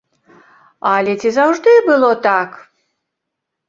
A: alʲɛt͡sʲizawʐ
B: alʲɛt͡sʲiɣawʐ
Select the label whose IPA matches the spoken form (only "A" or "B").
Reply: A